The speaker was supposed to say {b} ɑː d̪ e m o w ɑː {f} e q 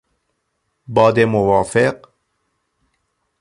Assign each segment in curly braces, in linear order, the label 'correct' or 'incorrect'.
correct, correct

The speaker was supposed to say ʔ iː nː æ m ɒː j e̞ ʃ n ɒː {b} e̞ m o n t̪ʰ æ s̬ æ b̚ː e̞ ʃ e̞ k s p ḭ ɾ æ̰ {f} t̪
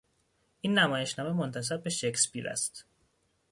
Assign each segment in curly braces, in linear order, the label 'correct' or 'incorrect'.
incorrect, incorrect

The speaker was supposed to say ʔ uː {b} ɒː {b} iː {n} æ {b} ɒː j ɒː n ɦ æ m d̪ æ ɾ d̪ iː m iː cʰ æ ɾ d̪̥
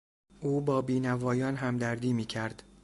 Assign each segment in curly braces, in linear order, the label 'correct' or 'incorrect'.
correct, correct, correct, incorrect

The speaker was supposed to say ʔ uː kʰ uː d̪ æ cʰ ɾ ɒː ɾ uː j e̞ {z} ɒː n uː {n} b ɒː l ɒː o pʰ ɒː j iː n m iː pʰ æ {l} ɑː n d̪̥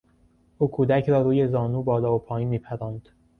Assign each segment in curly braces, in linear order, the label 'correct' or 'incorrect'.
correct, incorrect, incorrect

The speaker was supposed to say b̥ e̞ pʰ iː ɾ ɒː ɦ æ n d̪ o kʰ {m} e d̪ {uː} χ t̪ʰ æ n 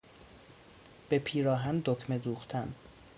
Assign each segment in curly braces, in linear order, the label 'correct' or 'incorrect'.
correct, correct

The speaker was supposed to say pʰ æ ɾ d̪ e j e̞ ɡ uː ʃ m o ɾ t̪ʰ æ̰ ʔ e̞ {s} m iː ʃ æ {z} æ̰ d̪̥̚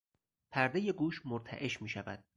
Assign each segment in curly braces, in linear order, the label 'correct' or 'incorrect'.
incorrect, incorrect

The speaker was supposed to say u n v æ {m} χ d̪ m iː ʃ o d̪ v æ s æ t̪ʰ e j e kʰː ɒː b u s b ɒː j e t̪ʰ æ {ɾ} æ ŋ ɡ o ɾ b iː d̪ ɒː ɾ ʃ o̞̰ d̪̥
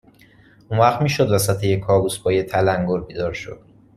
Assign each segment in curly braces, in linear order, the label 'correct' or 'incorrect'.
incorrect, incorrect

